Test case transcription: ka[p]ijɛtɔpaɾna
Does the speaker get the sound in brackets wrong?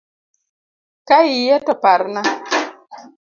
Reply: yes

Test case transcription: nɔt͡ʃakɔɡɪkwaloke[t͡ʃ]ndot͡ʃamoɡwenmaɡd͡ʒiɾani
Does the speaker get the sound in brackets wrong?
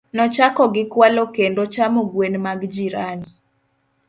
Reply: yes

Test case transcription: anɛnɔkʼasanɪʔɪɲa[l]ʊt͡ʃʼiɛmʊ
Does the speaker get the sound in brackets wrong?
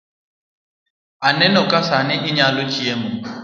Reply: no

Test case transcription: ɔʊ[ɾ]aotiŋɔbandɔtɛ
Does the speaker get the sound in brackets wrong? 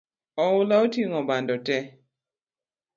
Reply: yes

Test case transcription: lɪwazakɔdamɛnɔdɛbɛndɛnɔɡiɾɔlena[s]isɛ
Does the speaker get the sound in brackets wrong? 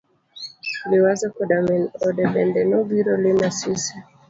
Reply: no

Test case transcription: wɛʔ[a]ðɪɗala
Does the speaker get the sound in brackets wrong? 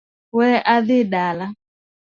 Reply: no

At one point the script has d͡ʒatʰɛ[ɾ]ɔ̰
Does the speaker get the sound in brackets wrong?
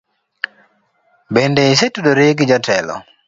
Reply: yes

